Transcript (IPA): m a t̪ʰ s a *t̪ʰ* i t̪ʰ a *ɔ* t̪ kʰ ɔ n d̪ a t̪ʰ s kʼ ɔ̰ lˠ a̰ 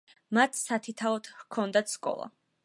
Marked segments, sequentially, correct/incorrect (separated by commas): correct, correct